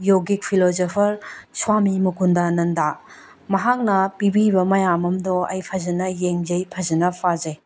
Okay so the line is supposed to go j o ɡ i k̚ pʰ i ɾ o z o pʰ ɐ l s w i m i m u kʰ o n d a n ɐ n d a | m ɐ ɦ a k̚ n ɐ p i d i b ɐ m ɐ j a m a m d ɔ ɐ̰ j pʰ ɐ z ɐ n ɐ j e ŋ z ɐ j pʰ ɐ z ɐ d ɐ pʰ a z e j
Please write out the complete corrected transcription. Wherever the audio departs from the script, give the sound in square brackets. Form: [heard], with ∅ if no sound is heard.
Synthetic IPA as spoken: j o ɡ i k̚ pʰ i [l] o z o pʰ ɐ [ɾ] s w [a] m i m u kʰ [u] n d a n ɐ n d a | m ɐ ɦ a k̚ n ɐ p i [b] i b ɐ m ɐ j a m [ɐ] m d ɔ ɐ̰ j pʰ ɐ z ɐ n ɐ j e ŋ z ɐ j pʰ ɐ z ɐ [n] ɐ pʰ a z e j